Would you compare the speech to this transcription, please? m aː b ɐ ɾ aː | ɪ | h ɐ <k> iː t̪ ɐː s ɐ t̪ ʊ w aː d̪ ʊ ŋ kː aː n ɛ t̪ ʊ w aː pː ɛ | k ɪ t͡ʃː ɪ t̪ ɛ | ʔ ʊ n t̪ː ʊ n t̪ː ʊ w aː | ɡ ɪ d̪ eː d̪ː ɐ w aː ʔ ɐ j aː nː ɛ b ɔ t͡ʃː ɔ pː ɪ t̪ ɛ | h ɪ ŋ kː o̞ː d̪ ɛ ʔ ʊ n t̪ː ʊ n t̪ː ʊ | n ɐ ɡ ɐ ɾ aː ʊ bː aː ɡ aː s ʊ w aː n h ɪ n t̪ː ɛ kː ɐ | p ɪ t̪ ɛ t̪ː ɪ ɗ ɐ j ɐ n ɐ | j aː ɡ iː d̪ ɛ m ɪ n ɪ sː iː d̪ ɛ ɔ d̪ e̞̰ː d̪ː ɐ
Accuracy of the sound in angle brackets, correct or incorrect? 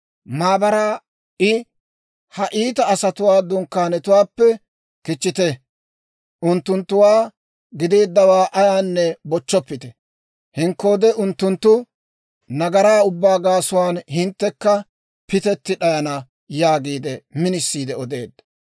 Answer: incorrect